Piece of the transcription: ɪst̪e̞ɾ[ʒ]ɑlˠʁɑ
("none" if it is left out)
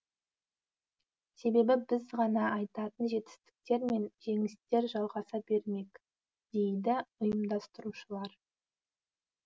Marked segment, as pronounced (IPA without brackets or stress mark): ʒ